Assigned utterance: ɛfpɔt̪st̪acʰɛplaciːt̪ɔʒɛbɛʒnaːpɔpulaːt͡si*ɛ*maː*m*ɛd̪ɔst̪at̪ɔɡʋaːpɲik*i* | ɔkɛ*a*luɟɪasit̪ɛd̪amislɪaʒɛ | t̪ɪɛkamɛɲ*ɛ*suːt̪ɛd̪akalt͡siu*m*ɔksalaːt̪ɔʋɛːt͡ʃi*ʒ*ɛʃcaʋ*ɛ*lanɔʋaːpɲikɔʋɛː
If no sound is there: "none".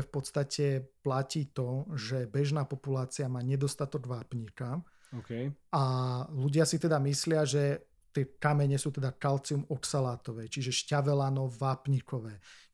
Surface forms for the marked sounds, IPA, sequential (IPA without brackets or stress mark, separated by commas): a, ɲ, a, a, ɛ, m, ʒ, ɛ